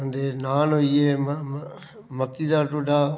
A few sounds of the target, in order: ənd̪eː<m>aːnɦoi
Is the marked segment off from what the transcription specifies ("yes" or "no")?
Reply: yes